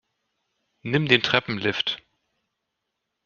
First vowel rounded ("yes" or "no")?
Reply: no